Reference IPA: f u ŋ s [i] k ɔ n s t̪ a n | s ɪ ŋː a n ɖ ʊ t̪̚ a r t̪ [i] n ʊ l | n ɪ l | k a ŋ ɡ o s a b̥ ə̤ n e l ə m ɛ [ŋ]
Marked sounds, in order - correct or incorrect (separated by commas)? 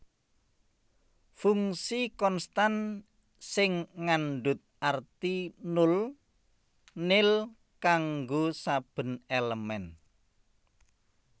correct, correct, incorrect